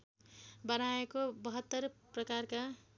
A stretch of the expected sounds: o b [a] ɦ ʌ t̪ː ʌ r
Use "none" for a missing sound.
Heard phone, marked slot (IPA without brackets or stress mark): ʌ